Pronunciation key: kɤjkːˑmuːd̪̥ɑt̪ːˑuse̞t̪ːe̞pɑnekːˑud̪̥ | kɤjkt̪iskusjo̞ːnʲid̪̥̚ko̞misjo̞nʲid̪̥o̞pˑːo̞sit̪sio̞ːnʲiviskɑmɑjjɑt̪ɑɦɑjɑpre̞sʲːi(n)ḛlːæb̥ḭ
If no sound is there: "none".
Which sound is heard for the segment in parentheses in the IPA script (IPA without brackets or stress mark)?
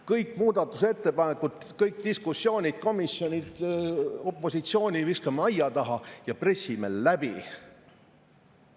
m